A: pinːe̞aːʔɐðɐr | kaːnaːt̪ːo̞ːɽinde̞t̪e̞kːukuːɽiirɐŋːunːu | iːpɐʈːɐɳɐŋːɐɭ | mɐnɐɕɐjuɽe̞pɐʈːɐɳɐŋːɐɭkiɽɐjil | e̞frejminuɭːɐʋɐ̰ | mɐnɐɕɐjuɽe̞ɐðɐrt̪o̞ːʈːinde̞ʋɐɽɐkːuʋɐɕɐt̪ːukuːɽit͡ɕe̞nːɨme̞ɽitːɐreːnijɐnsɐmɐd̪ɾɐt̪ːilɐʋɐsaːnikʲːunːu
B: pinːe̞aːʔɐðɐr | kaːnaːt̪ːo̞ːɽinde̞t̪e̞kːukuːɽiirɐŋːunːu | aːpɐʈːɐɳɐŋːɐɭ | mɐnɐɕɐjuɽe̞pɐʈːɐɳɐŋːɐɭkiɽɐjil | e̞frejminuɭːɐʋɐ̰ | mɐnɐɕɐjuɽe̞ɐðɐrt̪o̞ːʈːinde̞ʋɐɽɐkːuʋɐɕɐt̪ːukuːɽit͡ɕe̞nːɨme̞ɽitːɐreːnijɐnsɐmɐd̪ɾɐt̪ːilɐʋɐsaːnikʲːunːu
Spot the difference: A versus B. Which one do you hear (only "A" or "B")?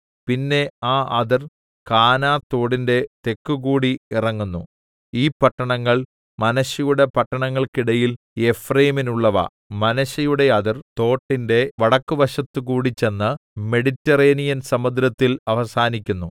A